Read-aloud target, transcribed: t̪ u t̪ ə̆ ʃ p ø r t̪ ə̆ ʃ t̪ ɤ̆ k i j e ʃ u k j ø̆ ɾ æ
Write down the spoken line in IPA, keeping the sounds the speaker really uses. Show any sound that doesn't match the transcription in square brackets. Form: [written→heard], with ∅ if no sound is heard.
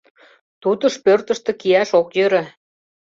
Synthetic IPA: t̪ u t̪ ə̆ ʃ p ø r t̪ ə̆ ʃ t̪ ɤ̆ k i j [e→æ] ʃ [u→o] k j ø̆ ɾ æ